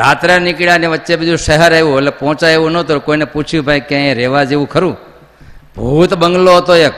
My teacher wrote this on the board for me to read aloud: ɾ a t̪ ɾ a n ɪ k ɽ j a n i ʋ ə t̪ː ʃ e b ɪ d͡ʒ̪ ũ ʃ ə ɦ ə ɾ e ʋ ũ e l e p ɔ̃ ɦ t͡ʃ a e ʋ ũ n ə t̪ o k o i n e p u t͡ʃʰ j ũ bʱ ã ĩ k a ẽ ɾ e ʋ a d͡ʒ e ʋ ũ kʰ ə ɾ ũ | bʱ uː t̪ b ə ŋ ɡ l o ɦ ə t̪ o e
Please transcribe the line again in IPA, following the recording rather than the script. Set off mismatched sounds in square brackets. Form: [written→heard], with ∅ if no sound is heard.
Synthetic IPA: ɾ a t̪ ɾ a n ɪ k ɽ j a n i ʋ ə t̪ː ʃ e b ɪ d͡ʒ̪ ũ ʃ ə ɦ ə ɾ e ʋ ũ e l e p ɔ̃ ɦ t͡ʃ a e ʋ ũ n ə t̪ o k o i n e p u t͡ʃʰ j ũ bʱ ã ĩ k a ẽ ɾ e ʋ a d͡ʒ e ʋ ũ kʰ ə ɾ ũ | bʱ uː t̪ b ə ŋ ɡ l o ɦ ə t̪ o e